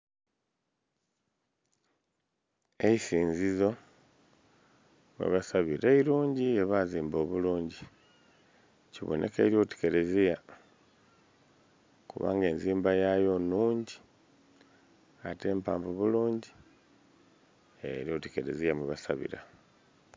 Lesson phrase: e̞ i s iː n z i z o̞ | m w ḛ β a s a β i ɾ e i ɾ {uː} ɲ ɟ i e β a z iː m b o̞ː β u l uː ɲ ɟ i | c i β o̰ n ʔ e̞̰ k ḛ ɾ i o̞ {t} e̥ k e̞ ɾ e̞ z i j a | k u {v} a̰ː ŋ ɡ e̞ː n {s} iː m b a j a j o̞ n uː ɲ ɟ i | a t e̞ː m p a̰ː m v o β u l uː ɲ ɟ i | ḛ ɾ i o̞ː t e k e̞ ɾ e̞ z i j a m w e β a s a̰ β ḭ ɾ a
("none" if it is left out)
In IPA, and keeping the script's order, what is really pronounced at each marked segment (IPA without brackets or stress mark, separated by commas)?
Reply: uː, t, β, z